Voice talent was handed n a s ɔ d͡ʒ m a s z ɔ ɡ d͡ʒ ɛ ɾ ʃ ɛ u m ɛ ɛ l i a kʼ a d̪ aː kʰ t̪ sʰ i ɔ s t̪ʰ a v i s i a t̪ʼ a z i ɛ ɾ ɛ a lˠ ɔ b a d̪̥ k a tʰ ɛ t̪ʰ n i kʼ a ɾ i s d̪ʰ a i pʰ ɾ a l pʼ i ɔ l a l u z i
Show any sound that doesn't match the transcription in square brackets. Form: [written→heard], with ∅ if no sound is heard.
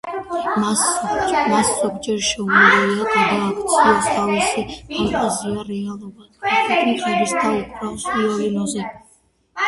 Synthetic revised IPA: [n→m] a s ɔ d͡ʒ m a s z ɔ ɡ d͡ʒ ɛ ɾ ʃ ɛ u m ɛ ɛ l i a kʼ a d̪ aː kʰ t̪ sʰ i ɔ s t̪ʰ a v i s i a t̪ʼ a z i [ɛ→a] ɾ ɛ a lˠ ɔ b a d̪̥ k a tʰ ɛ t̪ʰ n i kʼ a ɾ i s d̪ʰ a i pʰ ɾ a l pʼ i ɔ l [a→i] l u z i